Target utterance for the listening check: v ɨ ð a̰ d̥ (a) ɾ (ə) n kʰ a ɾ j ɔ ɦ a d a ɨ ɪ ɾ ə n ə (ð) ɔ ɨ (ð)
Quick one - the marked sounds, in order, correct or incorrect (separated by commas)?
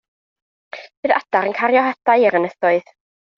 correct, correct, incorrect, correct